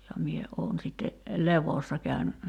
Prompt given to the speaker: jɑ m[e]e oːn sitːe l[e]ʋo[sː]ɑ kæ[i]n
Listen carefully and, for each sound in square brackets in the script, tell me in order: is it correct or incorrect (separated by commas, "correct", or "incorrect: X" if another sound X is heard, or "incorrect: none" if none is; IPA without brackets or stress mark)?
incorrect: i, correct, correct, incorrect: y